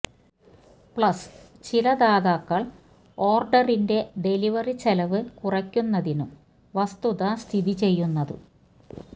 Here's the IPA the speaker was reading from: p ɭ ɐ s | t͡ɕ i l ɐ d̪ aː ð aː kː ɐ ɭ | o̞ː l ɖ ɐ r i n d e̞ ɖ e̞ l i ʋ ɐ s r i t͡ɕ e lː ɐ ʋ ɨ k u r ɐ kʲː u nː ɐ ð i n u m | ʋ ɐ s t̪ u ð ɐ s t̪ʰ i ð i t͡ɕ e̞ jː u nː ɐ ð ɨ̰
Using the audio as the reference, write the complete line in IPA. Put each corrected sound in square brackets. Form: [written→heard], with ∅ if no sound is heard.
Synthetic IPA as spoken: p ɭ ɐ s | t͡ɕ i l ɐ d̪ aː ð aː kː ɐ ɭ | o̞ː [l→r] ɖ ɐ r i n d e̞ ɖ e̞ l i ʋ ɐ [s→∅] r i t͡ɕ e [lː→l] ɐ ʋ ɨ k u r ɐ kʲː u nː ɐ ð i n u m | ʋ ɐ s t̪ u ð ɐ s t̪ʰ i ð i t͡ɕ e̞ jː u nː ɐ ð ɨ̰